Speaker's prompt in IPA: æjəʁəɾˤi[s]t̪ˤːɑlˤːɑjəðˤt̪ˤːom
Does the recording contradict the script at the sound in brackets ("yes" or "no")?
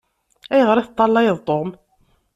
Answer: yes